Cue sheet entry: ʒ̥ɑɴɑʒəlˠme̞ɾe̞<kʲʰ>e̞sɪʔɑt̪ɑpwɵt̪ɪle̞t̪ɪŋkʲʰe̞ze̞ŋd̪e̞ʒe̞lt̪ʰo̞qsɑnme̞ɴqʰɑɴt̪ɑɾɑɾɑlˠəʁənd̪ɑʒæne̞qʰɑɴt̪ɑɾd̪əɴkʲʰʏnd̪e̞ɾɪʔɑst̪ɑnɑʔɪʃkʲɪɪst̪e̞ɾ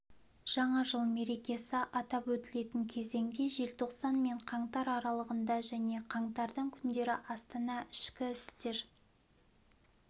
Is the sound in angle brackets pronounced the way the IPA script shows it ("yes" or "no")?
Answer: no